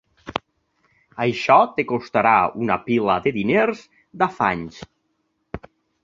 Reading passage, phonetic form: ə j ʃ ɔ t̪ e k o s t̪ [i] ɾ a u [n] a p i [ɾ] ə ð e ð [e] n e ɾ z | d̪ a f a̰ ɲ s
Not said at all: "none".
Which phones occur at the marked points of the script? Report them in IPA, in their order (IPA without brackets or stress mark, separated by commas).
a, n, l, i